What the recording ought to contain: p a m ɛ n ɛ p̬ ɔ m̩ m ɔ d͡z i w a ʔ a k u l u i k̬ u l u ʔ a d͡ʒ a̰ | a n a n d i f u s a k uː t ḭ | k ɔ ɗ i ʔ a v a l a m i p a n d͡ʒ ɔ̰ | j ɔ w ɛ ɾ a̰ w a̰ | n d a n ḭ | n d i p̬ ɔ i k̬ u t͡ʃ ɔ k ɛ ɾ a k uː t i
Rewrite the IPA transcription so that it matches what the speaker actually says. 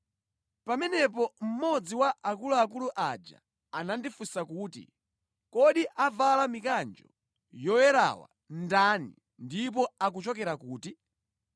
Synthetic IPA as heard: p a m ɛ n ɛ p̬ ɔ m̩ m ɔ d͡z i w a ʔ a k u l u a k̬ u l u ʔ a d͡ʒ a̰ | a n a n d i f u s a k uː t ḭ | k ɔ ɗ i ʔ a v a l a m i k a n d͡ʒ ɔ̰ | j ɔ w ɛ ɾ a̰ w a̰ | n d a n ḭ | n d i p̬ ɔ a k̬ u t͡ʃ ɔ k ɛ ɾ a k uː t i